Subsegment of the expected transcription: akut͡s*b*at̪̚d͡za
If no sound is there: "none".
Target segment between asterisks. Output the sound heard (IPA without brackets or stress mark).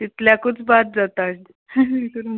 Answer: b